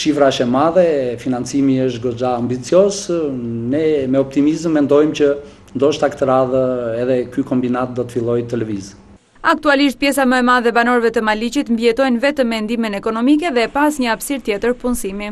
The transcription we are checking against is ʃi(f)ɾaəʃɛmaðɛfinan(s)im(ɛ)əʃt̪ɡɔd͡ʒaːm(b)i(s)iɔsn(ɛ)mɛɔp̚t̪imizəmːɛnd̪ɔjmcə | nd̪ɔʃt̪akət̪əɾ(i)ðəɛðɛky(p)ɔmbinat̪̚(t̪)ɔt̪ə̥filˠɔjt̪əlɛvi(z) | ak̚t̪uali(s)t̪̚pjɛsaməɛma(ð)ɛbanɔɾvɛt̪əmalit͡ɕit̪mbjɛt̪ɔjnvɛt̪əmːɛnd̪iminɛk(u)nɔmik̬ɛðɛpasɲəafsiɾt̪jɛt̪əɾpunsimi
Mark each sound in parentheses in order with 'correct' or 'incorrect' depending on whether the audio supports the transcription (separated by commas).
correct, incorrect, incorrect, correct, incorrect, correct, incorrect, incorrect, incorrect, correct, incorrect, correct, incorrect